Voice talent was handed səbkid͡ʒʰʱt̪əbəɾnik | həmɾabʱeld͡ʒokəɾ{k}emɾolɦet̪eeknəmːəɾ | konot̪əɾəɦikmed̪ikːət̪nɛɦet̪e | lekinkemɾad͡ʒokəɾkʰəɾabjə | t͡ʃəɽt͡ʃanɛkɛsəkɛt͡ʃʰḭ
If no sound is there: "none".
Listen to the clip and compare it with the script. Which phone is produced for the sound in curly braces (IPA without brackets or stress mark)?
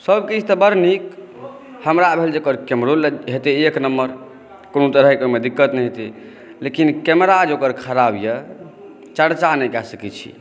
k